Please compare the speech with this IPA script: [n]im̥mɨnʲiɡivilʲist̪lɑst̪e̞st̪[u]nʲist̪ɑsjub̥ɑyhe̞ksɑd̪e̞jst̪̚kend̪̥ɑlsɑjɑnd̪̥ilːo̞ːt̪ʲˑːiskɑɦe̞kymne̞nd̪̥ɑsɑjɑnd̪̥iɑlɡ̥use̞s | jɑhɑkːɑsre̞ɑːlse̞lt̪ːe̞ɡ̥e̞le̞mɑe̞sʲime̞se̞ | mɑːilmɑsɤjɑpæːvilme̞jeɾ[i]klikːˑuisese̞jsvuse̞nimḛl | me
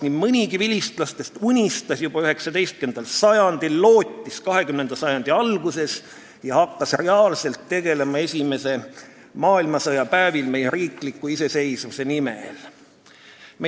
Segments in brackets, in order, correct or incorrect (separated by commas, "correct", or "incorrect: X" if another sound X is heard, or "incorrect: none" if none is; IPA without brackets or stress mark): correct, correct, incorrect: iː